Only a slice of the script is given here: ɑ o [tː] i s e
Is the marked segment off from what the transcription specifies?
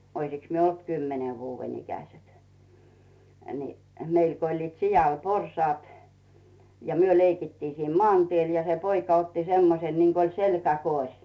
no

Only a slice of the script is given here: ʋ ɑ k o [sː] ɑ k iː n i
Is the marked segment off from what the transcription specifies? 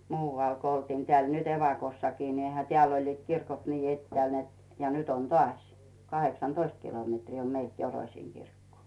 no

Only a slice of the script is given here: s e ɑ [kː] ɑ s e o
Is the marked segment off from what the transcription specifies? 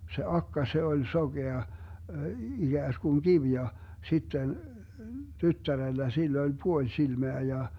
no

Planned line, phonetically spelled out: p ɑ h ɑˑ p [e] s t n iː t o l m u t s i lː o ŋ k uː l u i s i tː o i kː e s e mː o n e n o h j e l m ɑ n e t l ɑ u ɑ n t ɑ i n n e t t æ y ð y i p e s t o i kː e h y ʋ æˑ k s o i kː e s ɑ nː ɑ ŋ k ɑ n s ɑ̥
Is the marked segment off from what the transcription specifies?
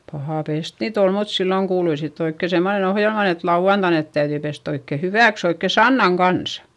no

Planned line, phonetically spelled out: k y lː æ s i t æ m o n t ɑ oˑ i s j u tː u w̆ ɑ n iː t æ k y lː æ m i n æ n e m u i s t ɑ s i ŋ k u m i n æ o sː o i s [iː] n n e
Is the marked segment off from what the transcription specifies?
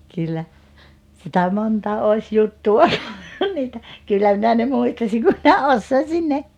yes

